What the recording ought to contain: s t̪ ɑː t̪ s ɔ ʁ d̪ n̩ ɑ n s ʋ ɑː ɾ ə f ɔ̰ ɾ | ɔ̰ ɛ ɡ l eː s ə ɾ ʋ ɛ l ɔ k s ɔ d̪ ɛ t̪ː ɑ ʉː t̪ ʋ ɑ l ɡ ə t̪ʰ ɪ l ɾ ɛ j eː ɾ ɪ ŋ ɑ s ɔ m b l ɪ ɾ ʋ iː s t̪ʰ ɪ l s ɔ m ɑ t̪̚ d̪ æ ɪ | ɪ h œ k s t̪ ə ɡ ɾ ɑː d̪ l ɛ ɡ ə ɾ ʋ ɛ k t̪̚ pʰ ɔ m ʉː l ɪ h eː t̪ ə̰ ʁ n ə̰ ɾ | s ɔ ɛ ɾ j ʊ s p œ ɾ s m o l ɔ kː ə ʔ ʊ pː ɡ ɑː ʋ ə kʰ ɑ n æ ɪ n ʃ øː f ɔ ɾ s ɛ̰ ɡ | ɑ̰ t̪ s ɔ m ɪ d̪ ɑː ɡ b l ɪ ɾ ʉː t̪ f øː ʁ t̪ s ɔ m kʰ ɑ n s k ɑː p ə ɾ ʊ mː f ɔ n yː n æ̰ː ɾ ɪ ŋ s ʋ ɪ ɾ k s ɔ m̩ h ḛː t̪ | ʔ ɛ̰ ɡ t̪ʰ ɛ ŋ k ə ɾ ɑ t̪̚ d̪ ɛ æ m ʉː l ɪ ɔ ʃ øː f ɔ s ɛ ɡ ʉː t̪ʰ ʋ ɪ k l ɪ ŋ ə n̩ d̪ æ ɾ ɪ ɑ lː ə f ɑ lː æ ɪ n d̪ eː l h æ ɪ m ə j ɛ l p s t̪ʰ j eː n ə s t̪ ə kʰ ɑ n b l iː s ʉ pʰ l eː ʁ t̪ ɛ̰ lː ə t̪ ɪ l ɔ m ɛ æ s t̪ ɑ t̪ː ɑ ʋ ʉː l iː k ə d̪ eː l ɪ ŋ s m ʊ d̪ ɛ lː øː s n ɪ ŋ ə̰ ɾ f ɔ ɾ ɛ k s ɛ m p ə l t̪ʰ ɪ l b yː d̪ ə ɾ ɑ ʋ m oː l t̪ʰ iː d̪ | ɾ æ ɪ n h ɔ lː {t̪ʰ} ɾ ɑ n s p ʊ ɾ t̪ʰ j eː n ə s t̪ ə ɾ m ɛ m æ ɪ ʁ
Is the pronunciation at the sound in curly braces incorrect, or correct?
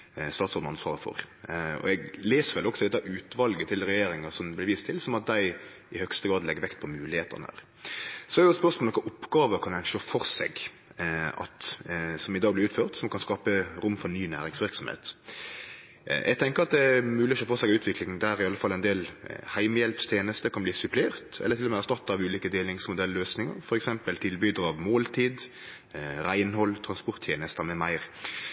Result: correct